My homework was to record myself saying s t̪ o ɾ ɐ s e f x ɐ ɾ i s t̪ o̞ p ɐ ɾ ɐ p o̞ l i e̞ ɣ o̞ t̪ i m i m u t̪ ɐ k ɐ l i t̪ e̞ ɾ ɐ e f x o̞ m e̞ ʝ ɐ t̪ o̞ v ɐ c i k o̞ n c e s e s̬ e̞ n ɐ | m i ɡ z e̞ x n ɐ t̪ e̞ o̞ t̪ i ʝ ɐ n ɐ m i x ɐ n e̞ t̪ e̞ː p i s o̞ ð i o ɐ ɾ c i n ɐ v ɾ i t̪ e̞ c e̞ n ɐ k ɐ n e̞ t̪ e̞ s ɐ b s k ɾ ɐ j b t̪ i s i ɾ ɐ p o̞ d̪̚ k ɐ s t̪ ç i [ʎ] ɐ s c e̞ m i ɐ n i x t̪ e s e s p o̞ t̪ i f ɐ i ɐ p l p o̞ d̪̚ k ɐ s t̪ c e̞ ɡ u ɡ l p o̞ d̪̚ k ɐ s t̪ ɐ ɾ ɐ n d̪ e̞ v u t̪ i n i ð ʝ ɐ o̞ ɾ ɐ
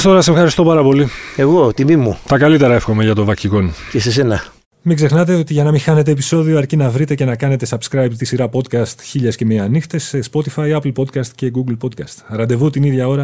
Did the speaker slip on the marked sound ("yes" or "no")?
no